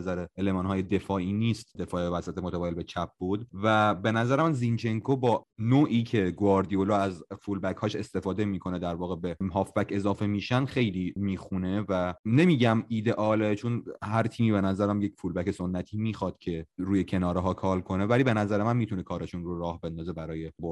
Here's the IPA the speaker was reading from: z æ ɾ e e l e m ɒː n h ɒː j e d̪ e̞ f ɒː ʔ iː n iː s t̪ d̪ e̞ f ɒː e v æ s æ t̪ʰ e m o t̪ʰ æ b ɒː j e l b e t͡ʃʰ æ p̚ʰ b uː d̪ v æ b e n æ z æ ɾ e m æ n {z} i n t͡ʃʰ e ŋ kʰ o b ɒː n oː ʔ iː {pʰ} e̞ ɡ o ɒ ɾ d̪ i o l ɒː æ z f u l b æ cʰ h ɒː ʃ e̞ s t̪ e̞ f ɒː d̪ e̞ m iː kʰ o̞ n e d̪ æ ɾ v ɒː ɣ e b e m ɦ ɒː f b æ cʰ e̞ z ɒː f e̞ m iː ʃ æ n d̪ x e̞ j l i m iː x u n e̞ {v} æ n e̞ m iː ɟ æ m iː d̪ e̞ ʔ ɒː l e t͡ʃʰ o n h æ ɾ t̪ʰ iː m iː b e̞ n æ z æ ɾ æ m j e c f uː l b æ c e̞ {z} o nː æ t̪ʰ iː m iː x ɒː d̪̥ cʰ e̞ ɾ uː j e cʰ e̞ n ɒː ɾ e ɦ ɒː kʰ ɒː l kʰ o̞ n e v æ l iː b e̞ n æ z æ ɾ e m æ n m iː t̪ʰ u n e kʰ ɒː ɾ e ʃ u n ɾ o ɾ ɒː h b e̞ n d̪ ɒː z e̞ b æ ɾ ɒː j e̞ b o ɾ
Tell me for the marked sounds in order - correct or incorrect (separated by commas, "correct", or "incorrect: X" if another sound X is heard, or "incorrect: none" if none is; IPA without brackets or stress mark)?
correct, incorrect: cʰ, correct, incorrect: s